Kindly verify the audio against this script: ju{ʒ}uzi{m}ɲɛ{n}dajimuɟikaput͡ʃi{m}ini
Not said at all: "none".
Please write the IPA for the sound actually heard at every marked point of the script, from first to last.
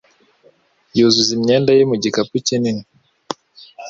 z, m, n, n

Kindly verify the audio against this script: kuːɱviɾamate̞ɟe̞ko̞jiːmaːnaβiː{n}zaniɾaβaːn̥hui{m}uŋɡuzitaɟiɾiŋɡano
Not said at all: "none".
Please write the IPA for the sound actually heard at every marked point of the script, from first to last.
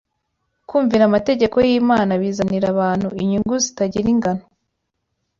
none, ɲ

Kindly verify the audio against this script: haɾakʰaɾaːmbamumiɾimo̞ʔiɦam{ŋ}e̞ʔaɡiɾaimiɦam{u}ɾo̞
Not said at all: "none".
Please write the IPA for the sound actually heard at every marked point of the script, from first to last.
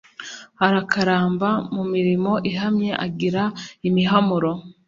ɲ, u

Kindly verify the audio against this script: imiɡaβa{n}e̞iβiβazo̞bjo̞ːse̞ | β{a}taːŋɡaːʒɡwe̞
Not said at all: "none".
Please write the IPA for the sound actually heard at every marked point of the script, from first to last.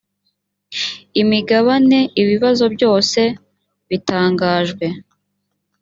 n, i

